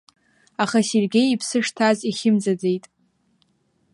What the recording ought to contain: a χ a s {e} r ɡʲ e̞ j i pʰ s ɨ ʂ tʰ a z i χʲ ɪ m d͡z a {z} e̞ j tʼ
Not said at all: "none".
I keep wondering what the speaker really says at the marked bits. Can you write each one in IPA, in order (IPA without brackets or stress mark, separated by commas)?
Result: e, d͡z